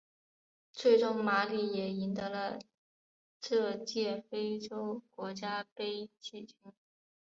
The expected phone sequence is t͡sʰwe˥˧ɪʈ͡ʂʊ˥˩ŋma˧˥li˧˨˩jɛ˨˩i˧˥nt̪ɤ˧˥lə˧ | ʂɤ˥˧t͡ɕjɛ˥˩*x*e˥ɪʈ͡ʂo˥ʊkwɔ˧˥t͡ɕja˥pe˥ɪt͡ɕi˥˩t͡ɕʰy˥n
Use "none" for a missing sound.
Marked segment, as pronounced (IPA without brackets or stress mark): f